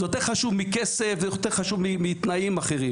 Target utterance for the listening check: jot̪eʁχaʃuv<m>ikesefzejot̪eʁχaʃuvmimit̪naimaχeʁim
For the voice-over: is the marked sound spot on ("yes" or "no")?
yes